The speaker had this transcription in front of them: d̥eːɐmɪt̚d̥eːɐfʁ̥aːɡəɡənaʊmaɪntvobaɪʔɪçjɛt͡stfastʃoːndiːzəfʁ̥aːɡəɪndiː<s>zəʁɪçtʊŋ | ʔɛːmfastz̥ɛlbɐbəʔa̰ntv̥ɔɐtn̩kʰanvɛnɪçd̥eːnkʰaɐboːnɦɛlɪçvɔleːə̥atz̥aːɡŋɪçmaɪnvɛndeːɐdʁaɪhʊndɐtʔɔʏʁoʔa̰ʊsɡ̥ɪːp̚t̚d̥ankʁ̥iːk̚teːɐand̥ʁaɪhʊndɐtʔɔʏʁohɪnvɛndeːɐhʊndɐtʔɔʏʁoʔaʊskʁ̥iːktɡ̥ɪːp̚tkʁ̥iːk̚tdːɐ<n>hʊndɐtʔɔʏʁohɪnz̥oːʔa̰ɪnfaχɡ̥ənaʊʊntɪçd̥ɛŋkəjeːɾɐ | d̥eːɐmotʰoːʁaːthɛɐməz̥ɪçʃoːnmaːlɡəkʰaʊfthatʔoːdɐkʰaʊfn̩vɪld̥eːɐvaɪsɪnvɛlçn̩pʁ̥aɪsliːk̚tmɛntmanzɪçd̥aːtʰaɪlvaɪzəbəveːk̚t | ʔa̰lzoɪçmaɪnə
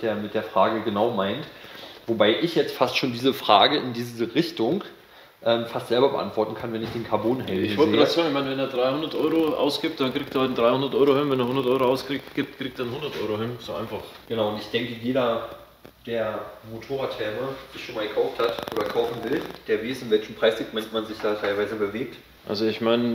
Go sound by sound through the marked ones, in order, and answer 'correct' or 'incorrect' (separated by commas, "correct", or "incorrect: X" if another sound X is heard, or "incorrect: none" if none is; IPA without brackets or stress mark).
incorrect: z, correct